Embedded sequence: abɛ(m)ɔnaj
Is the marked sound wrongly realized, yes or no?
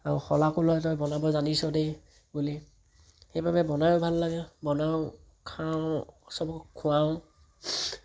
yes